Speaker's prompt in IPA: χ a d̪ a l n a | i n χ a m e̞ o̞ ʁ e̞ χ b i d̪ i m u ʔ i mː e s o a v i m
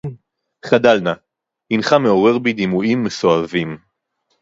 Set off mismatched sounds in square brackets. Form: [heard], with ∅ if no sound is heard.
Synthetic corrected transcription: χ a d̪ a l n a | i n χ a m e̞ o̞ ʁ e̞ [ʁ] b i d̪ i m u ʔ i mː e s o a v i m